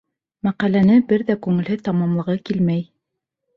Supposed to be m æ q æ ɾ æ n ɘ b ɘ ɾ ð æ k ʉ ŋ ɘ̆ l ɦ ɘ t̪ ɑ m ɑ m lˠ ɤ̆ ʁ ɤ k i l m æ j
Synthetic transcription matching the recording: m æ q æ l æ n ɘ b ɘ ɾ ð æ k ʉ ŋ ɘ̆ l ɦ ɘ t̪ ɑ m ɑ m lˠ ɤ̆ ʁ ɤ k i l m æ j